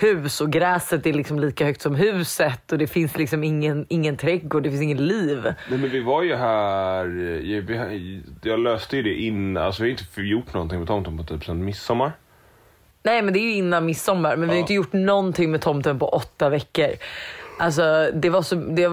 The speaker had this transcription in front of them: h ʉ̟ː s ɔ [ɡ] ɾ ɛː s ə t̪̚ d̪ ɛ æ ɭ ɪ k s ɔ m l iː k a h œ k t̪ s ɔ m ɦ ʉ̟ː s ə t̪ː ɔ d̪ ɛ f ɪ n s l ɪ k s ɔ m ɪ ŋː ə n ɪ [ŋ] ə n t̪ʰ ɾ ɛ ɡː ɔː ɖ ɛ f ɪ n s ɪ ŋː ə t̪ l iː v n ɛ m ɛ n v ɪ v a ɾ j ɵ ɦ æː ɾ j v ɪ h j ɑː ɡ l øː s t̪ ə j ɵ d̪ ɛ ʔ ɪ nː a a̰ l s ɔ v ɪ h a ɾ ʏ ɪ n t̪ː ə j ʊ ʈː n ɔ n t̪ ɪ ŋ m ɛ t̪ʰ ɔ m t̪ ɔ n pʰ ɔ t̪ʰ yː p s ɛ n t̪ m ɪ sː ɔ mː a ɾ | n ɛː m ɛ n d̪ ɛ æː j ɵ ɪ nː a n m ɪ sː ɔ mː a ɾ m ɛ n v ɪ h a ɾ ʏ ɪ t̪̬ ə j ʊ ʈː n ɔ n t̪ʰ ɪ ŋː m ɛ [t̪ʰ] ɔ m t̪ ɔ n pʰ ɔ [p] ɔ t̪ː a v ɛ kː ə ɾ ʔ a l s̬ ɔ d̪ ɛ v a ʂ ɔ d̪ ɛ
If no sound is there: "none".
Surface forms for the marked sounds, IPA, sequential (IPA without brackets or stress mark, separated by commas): ɡ, ŋː, t̪ʰ, ʔ